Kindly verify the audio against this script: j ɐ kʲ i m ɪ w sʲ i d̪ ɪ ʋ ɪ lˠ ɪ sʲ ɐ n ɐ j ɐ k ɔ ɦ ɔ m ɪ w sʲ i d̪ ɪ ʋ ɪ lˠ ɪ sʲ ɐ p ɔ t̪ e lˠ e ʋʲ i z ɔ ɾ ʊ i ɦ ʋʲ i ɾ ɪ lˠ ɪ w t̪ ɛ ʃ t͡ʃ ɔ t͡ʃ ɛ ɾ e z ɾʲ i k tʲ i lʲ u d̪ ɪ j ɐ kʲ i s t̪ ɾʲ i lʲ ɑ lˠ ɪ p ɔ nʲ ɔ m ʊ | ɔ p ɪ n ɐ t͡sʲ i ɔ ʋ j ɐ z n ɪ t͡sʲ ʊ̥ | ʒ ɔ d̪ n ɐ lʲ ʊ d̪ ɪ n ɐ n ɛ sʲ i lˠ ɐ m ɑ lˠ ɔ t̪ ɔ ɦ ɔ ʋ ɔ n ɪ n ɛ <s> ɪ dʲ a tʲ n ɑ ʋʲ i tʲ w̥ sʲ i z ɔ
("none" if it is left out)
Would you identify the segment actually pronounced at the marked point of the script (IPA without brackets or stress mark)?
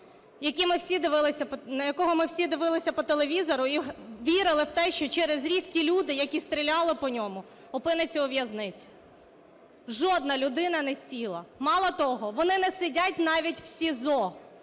s